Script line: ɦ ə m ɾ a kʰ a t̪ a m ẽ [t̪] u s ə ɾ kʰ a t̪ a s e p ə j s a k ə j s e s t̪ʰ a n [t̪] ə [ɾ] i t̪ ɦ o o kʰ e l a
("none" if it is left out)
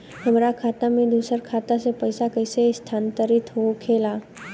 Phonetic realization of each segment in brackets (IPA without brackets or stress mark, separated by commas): d̪, t̪, ɾ